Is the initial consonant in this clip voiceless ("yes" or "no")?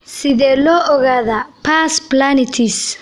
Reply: yes